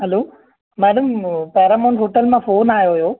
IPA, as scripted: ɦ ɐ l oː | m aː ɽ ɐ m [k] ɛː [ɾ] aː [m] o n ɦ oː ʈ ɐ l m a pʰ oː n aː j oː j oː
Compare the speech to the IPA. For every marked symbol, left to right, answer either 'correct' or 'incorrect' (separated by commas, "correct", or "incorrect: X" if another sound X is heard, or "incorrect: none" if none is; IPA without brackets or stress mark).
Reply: incorrect: p, correct, correct